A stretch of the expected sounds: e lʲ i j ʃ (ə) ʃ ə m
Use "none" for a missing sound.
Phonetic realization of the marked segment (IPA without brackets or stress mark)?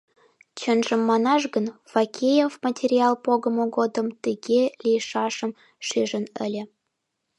ɑ